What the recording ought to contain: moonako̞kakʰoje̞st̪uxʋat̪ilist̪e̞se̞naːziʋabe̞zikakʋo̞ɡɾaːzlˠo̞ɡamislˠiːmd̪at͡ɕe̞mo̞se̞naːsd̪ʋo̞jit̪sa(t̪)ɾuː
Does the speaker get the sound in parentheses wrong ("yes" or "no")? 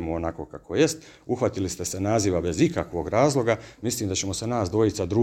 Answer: yes